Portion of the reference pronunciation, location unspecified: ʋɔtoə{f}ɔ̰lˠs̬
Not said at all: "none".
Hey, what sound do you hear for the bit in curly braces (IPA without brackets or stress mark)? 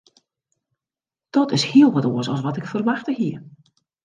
s